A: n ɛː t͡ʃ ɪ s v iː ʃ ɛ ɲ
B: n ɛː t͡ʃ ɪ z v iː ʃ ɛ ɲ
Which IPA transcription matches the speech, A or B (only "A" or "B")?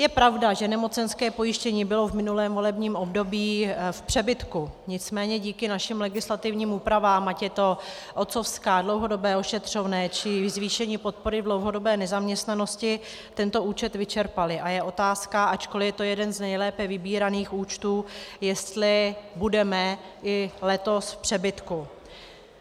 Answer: B